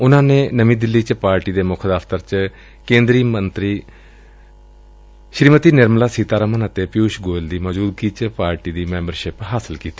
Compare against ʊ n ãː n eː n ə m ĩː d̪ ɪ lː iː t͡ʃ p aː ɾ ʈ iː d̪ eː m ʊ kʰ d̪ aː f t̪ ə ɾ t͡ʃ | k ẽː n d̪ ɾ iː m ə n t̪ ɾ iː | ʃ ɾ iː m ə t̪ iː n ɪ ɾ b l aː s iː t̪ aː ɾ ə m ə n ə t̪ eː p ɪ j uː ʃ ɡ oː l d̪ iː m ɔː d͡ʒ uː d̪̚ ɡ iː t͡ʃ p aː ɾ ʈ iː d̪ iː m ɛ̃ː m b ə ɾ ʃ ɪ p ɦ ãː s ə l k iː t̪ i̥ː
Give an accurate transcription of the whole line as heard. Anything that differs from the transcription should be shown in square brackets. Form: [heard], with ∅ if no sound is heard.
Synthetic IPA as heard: ʊ n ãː n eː n ə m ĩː d̪ ɪ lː iː t͡ʃ p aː ɾ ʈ iː d̪ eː m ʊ kʰ d̪ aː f t̪ ə ɾ t͡ʃ | k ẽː n d̪ ɾ iː m ə n t̪ ɾ iː | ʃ ɾ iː m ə t̪ iː n ɪ ɾ [m] l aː s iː t̪ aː ɾ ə m ə n ə t̪ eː p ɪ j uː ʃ ɡ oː l d̪ iː m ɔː d͡ʒ uː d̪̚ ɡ iː t͡ʃ p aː ɾ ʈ iː d̪ iː m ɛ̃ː m b ə ɾ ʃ ɪ p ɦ [aː] s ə l k iː t̪ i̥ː

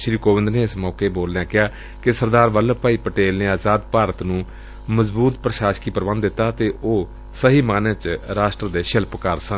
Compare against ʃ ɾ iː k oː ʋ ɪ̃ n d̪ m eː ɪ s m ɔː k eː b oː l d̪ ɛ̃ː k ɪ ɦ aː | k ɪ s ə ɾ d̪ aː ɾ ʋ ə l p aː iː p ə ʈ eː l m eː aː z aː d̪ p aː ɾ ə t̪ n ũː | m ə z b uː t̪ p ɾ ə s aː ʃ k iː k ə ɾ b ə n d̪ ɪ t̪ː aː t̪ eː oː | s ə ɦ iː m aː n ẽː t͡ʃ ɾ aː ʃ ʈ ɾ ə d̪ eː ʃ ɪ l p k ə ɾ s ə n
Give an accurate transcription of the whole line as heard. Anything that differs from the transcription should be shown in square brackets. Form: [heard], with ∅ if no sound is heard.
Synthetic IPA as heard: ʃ ɾ iː k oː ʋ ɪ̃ n d̪ [n] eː ɪ s m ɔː k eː b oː l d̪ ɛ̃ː k ɪ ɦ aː | k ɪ s ə ɾ d̪ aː ɾ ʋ ə l p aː iː p ə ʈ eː l [n] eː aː z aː d̪ p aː ɾ ə t̪ n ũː | m ə z b uː t̪ p ɾ ə [ʃ] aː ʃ k iː [p] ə ɾ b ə n d̪ ɪ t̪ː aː t̪ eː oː | s ə ɦ iː m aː n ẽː t͡ʃ ɾ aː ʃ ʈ ɾ ə d̪ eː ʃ ɪ l p k ə ɾ s ə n

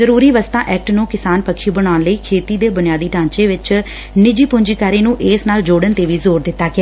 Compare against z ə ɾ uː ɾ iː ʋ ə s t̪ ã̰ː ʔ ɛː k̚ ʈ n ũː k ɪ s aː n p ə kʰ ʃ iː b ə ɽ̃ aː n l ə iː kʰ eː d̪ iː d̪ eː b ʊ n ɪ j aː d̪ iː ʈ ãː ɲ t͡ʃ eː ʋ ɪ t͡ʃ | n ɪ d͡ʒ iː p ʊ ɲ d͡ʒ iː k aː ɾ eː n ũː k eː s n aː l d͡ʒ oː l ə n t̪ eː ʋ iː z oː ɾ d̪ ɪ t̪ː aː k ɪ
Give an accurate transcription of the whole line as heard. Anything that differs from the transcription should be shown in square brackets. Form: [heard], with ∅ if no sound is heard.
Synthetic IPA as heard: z ə ɾ uː ɾ iː ʋ ə s t̪ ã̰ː ʔ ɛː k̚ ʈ n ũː k ɪ s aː n p ə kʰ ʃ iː b ə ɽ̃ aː n l ə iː kʰ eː [t̪] iː d̪ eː b ʊ n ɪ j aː d̪ iː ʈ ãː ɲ t͡ʃ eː ʋ ɪ t͡ʃ | n ɪ d͡ʒ iː p ʊ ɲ d͡ʒ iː k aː ɾ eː n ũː [ʔ] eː s n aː l d͡ʒ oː [ɽ] ə n t̪ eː ʋ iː z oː ɾ d̪ ɪ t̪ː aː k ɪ

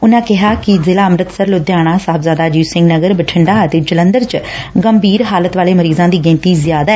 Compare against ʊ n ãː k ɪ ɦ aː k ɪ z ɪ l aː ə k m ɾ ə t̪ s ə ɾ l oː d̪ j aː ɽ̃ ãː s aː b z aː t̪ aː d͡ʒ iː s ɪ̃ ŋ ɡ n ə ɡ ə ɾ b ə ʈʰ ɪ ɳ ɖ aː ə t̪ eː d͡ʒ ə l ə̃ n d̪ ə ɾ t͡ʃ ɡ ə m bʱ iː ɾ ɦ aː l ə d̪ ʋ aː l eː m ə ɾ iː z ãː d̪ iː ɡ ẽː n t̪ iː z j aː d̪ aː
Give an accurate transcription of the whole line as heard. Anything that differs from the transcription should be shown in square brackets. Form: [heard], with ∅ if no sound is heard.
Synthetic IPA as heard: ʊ n ãː k ɪ ɦ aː k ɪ z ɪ l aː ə [∅] m ɾ ə t̪ s ə ɾ l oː d̪ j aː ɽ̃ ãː s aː b z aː [d̪] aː d͡ʒ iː s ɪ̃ ŋ ɡ n ə ɡ ə ɾ b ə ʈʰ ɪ ɳ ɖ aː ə t̪ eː d͡ʒ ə l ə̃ n d̪ ə ɾ t͡ʃ ɡ ə m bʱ iː ɾ ɦ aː l ə [t̪] ʋ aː l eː m ə ɾ iː z ãː d̪ iː ɡ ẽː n t̪ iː z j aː d̪ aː

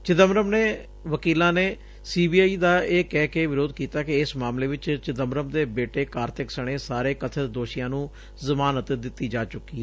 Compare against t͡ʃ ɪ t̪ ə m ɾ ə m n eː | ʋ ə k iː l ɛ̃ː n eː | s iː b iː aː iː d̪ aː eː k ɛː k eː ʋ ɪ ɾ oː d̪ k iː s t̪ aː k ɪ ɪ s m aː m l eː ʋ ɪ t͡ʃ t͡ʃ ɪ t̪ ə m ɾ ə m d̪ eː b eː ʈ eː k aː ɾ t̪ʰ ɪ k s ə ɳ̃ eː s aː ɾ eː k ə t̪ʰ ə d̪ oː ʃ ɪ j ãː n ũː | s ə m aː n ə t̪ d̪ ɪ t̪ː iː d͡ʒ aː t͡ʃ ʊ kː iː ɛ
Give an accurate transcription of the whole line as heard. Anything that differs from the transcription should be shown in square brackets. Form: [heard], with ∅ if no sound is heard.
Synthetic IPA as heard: t͡ʃ ɪ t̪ ə m ɾ ə m n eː | ʋ ə k iː l [ãː] n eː | s iː b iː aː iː d̪ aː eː k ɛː k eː ʋ ɪ ɾ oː d̪ k iː [∅] t̪ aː k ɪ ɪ s m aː m l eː ʋ ɪ t͡ʃ t͡ʃ ɪ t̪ ə m ɾ ə m d̪ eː b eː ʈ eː k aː ɾ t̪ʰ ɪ k s ə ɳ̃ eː s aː ɾ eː k ə t̪ʰ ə d̪ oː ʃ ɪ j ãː n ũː | [z] ə m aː n ə t̪ d̪ ɪ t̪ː iː d͡ʒ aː t͡ʃ ʊ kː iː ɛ

